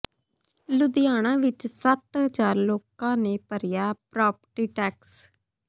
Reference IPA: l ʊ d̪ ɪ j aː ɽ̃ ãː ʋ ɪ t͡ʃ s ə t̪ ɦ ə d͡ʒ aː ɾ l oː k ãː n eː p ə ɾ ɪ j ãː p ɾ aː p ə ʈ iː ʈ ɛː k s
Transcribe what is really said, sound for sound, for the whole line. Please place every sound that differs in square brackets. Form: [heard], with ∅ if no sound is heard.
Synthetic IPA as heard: l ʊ d̪ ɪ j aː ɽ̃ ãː ʋ ɪ t͡ʃ s ə t̪ ɦ ə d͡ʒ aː ɾ l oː k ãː n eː p ə ɾ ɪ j [aː] p ɾ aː p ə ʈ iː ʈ ɛː k s